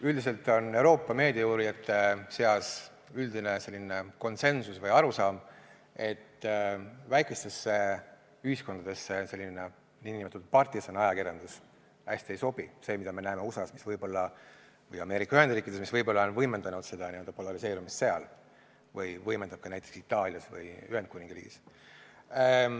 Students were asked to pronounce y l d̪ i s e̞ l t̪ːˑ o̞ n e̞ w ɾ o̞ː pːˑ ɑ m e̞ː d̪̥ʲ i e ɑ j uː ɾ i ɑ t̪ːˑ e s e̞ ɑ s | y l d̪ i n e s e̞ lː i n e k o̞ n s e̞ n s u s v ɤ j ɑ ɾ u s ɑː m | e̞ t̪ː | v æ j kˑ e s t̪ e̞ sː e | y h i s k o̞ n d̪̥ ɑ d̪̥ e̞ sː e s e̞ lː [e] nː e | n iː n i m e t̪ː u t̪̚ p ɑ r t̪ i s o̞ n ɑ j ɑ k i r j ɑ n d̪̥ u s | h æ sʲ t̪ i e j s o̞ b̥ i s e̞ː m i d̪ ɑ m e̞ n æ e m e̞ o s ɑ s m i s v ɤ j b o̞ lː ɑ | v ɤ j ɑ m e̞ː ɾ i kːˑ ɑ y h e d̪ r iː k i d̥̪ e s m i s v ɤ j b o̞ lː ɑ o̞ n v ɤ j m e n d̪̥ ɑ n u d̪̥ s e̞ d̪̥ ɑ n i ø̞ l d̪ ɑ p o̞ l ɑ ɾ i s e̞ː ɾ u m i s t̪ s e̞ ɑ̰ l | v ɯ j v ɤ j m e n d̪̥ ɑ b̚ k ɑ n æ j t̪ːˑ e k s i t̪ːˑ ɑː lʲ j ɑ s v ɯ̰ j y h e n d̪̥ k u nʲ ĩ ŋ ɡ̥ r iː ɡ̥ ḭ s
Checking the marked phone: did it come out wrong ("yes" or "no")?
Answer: yes